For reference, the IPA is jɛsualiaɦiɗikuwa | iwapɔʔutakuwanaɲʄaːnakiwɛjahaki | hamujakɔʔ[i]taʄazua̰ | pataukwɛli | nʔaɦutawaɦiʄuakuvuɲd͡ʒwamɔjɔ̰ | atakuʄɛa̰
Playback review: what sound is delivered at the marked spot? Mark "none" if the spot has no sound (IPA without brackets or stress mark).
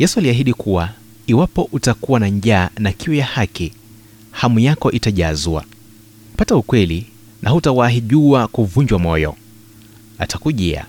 i